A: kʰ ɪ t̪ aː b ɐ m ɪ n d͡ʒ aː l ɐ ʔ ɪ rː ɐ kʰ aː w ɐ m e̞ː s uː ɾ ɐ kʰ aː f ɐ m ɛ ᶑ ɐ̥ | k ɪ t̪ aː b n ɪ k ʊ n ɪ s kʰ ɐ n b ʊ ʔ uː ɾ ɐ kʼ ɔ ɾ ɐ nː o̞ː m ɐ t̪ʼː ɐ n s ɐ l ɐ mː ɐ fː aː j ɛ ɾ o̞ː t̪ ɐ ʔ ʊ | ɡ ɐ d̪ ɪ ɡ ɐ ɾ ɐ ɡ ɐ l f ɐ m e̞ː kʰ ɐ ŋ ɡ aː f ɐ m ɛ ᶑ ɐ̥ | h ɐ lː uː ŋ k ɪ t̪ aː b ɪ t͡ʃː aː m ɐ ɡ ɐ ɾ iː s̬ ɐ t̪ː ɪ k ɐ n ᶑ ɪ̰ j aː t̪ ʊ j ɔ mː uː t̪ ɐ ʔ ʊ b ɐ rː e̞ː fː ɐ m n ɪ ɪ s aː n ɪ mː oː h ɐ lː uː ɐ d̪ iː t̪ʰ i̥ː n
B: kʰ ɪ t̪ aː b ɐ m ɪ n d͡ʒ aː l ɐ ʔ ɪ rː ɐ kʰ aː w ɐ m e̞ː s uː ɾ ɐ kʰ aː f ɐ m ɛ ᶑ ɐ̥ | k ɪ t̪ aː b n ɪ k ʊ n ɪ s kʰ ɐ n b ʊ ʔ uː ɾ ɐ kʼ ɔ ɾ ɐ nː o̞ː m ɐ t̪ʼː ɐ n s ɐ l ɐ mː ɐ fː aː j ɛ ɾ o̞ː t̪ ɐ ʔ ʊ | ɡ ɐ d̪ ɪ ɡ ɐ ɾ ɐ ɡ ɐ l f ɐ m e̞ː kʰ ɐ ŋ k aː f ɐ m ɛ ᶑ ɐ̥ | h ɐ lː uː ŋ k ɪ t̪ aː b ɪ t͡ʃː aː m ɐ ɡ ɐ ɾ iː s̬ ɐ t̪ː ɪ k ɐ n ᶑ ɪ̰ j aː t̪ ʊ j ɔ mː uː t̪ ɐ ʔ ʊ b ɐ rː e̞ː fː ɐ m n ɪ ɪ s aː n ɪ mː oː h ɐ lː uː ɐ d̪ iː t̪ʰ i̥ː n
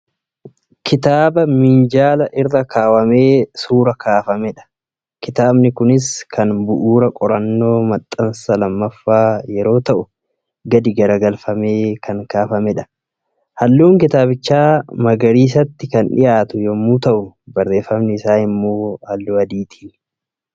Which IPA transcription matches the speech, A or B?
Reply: B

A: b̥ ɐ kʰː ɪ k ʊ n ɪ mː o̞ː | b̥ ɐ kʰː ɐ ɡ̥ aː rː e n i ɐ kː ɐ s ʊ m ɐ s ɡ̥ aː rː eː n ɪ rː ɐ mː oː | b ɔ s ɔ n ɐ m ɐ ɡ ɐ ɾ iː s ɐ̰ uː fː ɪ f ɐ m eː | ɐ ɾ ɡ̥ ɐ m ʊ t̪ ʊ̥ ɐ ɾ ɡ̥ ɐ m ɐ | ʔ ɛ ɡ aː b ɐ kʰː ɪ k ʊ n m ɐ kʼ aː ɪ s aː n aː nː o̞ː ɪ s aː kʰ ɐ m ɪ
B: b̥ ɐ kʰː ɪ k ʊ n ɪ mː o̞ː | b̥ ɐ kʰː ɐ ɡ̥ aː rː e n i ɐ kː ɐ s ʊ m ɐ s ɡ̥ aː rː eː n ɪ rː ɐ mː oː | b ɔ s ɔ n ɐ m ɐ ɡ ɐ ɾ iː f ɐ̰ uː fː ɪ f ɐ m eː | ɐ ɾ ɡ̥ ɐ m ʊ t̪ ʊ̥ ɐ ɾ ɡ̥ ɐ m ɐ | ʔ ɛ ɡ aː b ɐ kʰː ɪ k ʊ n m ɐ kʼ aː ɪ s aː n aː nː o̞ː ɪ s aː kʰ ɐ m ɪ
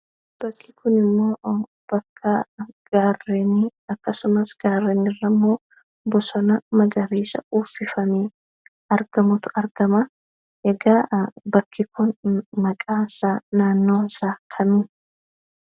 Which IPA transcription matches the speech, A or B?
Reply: A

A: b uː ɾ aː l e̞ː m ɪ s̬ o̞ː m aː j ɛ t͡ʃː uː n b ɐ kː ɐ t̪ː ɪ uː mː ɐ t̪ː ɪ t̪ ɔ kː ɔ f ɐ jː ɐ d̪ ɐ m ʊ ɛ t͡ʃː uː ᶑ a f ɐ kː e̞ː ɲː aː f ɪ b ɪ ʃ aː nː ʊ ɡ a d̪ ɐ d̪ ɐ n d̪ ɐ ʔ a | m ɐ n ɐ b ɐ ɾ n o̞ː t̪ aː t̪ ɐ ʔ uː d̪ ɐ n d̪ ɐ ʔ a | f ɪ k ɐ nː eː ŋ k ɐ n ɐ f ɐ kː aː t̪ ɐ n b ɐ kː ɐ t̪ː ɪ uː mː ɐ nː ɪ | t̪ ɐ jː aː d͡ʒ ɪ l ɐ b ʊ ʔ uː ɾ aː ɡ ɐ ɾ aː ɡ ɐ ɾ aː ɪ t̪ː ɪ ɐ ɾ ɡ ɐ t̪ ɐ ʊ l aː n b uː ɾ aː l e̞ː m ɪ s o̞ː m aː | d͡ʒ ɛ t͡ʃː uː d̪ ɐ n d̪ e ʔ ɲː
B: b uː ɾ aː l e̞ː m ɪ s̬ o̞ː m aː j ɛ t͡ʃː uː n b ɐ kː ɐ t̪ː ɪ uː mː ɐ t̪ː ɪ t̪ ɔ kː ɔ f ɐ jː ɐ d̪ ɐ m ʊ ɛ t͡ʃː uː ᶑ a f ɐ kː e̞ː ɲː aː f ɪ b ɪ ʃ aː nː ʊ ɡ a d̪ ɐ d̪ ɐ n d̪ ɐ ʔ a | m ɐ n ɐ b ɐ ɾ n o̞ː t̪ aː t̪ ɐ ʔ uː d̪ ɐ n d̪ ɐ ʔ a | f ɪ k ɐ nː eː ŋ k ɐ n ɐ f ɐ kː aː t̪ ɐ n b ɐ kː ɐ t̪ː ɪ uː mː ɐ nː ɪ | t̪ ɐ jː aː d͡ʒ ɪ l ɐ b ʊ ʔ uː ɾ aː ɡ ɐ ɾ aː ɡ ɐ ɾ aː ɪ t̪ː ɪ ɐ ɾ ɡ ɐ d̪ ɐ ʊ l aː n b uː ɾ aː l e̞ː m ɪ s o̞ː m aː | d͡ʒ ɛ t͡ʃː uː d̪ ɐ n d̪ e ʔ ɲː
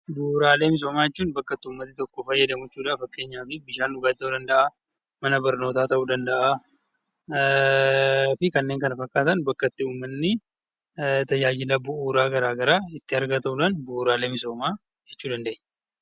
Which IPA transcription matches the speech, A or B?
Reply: A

